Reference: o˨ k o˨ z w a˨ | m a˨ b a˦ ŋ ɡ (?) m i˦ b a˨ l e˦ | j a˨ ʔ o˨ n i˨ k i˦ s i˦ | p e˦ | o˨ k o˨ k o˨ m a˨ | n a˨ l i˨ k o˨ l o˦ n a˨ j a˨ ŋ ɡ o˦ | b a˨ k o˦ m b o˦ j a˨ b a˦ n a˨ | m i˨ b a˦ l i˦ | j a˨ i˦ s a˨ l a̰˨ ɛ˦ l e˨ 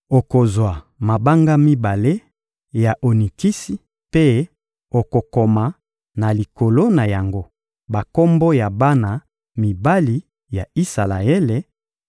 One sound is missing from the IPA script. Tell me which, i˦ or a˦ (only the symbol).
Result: a˦